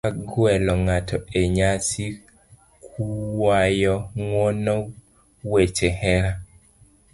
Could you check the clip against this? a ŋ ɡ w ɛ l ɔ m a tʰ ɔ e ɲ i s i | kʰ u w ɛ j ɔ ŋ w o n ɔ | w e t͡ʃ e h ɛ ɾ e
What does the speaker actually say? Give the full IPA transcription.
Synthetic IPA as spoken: a ɡ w ɛ l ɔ ŋ a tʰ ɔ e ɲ a s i | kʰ u w a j ɔ ŋ w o n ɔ | w e t͡ʃ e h ɛ ɾ a